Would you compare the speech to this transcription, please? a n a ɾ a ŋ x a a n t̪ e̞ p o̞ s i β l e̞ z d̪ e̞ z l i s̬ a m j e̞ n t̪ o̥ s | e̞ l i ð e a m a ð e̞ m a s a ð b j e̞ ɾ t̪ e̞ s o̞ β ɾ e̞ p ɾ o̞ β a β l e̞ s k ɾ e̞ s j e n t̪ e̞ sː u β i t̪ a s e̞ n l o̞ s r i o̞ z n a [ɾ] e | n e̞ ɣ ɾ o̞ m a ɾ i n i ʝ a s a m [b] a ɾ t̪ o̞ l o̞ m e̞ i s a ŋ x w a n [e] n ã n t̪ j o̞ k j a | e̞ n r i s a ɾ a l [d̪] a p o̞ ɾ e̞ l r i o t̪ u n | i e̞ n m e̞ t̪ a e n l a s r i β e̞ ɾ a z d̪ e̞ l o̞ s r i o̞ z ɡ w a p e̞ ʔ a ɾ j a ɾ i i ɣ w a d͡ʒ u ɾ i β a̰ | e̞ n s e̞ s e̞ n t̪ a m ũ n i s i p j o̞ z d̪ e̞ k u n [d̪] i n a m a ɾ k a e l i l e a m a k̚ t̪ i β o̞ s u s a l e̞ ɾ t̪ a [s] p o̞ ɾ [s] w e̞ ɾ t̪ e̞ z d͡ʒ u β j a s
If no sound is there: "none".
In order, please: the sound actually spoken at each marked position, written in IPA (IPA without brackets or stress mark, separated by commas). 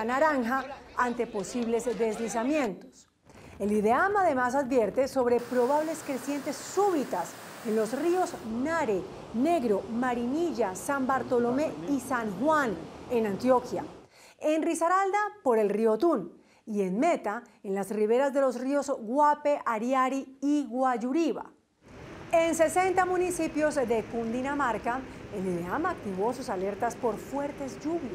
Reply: ɾ, b, e, d̪, d̪, s, f